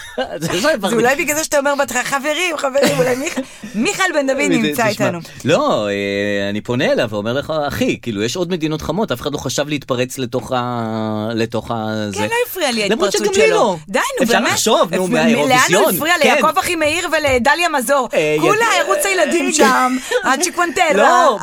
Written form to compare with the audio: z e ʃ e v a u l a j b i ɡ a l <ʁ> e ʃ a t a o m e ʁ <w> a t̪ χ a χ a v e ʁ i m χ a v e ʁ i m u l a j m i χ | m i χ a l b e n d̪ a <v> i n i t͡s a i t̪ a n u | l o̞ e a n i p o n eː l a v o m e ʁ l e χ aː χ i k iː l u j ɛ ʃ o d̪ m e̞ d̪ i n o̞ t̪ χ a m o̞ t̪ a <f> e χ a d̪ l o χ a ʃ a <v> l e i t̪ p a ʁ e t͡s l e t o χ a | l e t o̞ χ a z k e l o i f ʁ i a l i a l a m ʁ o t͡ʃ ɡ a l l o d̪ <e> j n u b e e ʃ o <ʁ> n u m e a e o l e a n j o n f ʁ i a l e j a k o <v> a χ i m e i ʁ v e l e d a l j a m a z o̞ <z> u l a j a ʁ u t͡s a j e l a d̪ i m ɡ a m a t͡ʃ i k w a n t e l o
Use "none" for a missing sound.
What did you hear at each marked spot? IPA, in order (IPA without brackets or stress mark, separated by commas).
z, b, v, f, v, a, v, v, ʁ